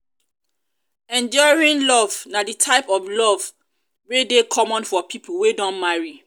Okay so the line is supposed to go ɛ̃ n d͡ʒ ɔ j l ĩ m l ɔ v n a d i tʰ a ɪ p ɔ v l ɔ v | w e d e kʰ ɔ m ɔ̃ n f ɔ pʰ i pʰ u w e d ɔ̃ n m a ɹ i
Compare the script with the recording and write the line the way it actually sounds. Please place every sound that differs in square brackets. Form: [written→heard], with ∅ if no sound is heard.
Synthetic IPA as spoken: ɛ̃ n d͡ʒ ɔ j [l→ɹ] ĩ [m→n] l ɔ v n a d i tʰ a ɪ p ɔ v l ɔ v | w e d e kʰ ɔ m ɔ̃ n f ɔ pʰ i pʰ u w e d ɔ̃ n m a ɹ i